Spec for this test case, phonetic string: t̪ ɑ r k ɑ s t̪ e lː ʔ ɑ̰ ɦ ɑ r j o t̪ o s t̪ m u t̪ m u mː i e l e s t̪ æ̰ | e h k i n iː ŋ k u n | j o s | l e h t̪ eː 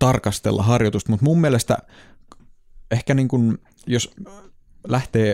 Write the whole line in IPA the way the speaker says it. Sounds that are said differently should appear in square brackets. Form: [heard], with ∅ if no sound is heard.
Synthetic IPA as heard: t̪ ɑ r k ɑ s t̪ e lː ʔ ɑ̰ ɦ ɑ r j o t̪ [u] s t̪ m u t̪ m u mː i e l e s t̪ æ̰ | e h k [æ] n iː ŋ k u n | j o s | l [æ] h t̪ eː